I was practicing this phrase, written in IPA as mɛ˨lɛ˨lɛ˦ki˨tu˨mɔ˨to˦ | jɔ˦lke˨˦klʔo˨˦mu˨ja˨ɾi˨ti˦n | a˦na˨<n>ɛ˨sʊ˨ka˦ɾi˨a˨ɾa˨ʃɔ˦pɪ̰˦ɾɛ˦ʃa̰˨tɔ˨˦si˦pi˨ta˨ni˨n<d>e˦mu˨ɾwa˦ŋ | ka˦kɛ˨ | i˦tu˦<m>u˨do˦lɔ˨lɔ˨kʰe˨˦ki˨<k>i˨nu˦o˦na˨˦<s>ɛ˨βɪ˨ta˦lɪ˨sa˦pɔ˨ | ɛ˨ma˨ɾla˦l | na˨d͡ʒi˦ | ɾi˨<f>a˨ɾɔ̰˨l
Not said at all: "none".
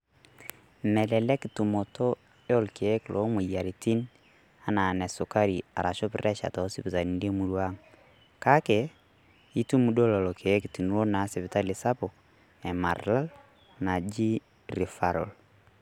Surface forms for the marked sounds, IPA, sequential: n, d, m, t, s, f

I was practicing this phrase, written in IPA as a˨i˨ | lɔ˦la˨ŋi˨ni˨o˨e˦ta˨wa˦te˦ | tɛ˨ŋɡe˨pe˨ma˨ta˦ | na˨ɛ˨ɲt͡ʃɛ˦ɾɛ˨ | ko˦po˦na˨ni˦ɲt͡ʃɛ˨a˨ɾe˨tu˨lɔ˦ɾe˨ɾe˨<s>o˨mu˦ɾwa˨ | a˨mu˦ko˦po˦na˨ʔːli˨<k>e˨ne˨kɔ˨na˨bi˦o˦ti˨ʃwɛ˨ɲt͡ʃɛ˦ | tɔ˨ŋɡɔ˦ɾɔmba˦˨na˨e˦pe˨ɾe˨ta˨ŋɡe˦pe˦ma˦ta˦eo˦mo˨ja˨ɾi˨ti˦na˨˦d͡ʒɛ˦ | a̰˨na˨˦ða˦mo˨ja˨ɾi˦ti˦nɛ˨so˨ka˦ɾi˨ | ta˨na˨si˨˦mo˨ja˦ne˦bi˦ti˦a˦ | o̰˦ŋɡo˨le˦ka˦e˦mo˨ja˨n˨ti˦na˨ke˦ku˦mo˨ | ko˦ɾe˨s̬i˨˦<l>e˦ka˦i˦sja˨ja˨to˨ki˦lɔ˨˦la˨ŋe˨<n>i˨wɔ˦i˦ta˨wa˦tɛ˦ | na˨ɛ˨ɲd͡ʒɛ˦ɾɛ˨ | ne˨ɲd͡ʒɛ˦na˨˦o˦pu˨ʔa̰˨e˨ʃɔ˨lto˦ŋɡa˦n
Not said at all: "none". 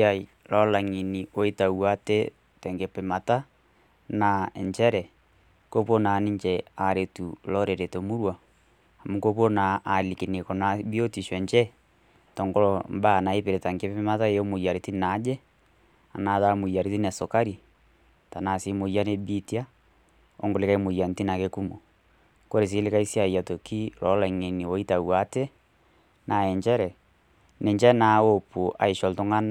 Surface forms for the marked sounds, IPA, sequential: t, k, l, n

